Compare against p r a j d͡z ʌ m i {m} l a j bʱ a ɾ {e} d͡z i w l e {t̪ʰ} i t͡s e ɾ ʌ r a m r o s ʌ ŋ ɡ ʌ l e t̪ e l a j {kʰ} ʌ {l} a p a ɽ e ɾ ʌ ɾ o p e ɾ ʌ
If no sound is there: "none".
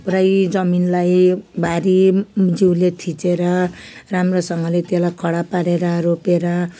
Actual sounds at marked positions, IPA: n, i, t̪ʰ, kʰ, ɽ

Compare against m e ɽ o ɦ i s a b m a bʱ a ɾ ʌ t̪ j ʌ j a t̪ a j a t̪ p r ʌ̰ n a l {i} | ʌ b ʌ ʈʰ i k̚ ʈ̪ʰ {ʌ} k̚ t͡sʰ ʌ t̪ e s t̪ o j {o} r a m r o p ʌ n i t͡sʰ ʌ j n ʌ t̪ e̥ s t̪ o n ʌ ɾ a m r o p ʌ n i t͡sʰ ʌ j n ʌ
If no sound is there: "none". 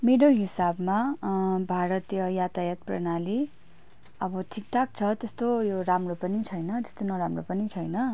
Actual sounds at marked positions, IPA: i, a, o

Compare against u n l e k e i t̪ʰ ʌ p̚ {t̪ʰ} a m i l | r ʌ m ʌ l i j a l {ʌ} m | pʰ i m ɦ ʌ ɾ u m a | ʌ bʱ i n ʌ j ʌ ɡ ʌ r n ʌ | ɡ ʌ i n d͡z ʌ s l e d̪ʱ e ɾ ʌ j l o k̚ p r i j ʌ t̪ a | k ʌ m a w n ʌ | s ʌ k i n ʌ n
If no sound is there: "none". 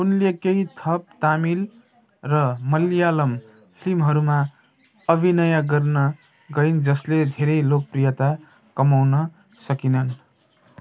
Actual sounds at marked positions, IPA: t̪, ʌ

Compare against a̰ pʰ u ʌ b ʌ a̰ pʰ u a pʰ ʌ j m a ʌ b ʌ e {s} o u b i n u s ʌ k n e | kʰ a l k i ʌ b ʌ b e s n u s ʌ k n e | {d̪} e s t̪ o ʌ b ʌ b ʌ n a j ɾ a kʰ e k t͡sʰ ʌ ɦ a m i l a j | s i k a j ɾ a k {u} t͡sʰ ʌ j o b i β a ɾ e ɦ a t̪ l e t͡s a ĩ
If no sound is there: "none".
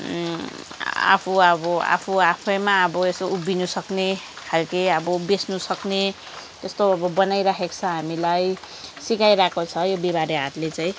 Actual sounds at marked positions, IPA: s, t̪, o

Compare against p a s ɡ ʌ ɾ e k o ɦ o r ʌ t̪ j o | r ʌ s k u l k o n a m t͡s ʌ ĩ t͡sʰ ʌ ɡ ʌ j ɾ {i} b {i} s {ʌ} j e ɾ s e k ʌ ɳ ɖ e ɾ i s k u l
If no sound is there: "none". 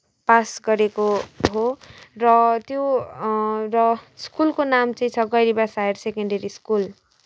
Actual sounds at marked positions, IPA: i, a, a

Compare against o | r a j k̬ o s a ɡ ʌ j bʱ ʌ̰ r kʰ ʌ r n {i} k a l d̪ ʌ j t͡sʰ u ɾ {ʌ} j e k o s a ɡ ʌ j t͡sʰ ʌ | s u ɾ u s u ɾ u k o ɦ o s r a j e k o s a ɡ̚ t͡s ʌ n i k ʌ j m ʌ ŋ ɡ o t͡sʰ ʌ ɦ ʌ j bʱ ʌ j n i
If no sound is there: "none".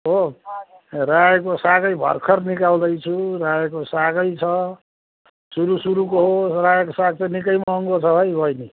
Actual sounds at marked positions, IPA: i, a

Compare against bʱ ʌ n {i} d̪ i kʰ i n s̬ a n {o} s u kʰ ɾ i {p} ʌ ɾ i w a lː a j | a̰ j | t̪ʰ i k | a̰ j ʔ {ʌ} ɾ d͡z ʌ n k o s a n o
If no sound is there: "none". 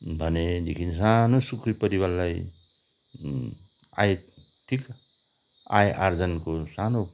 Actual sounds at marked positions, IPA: e, o, p, a

